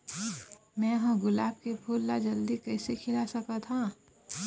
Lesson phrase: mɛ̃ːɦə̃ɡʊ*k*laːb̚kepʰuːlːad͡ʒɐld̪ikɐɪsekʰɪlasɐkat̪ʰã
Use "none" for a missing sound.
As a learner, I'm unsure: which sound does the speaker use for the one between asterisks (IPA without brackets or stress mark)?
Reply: none